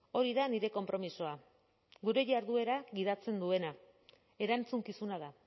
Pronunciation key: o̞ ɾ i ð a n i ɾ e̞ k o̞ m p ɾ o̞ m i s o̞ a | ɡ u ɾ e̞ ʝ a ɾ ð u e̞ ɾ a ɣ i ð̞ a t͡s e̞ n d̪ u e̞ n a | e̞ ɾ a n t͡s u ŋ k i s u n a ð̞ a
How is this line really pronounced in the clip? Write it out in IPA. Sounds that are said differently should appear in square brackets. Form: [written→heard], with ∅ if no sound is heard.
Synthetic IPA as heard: o̞ ɾ i ð a n i ɾ e̞ k o̞ m p ɾ o̞ m i s o̞ a | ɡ u ɾ e̞ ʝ a ɾ ð u e̞ ɾ a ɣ i ð̞ a t͡s e̞ n d̪ u e̞ n a | e̞ ɾ a n t͡s u ŋ k i s u n a ð̞ a